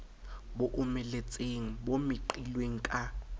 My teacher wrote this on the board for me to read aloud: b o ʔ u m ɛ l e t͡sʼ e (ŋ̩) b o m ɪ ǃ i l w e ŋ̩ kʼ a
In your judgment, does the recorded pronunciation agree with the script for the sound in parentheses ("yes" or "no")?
yes